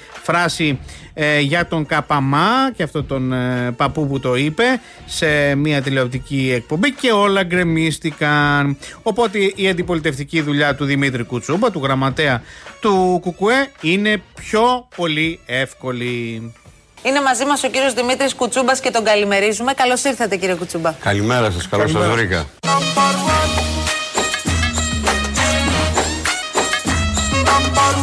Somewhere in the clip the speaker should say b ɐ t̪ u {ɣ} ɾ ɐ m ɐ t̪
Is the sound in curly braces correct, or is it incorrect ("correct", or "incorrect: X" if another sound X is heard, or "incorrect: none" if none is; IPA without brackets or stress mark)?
correct